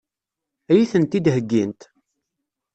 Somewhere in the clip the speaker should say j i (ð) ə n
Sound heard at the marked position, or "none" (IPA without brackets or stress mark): θ